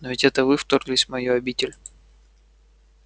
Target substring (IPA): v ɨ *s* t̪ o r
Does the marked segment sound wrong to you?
yes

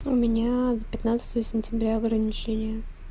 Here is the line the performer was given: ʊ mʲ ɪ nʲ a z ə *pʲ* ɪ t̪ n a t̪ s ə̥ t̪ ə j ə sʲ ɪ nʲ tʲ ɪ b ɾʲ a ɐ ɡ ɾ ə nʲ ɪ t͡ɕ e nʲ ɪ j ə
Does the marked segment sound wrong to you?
no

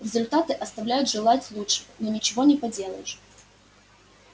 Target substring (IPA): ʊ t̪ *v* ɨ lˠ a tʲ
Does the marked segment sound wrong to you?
yes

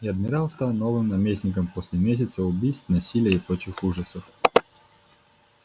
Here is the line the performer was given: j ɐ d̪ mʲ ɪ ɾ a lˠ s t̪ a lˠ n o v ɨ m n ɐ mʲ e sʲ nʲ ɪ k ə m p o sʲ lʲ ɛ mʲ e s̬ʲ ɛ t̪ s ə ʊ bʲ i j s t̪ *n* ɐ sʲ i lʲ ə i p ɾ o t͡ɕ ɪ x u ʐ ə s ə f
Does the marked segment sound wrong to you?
no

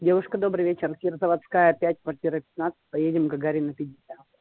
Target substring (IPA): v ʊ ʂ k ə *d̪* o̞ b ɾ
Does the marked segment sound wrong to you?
no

